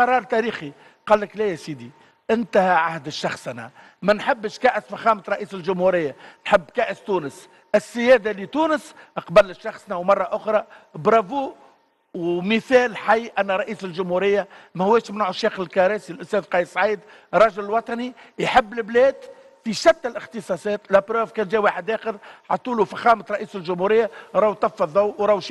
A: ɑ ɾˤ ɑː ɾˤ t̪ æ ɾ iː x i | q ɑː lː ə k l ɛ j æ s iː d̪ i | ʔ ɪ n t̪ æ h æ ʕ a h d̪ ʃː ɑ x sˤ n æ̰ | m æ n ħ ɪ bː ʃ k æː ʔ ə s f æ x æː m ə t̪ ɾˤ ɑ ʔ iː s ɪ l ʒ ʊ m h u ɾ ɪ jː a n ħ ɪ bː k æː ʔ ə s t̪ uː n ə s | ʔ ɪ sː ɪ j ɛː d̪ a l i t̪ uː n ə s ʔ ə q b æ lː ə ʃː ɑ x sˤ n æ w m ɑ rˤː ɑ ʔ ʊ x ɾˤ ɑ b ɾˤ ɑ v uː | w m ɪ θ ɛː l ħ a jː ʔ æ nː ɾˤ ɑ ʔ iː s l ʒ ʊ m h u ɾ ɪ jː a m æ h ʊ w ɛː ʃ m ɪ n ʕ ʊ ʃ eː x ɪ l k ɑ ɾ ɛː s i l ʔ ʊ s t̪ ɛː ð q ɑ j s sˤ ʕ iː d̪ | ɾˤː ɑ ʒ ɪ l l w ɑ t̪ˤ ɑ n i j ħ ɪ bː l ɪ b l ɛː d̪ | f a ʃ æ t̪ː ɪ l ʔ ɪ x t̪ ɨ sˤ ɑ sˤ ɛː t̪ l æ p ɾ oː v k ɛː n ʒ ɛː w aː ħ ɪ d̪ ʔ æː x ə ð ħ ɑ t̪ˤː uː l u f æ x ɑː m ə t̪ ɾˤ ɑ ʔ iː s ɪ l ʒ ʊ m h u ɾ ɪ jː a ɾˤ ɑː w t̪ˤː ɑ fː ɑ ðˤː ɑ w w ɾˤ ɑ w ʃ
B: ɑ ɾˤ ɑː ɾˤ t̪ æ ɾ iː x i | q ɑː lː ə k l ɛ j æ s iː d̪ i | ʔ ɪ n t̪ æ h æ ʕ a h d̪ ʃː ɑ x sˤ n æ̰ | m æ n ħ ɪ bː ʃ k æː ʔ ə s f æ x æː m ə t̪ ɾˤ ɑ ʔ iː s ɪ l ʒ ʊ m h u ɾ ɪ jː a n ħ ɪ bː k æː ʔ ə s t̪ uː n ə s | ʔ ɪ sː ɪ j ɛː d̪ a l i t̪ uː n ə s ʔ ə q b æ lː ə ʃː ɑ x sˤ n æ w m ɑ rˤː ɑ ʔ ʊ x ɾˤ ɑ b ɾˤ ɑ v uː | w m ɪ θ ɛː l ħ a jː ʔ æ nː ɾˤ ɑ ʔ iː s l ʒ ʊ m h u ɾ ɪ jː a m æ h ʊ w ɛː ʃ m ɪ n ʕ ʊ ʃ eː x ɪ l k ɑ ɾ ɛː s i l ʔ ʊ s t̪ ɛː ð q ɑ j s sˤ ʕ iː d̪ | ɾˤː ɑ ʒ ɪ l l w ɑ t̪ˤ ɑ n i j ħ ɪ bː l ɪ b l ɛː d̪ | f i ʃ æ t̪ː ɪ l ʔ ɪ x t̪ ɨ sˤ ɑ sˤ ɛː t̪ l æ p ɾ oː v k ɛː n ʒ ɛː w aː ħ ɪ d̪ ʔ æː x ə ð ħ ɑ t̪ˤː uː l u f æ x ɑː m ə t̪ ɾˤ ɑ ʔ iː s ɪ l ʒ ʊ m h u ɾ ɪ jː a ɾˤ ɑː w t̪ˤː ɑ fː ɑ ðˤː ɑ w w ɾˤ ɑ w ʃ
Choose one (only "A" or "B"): B